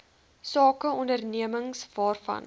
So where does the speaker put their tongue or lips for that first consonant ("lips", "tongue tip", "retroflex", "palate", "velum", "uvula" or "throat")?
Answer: tongue tip